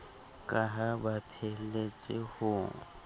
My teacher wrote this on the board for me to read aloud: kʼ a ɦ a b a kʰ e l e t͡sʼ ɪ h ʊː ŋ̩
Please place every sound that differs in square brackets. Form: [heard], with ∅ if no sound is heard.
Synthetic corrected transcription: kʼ a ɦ a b a [pʰ] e l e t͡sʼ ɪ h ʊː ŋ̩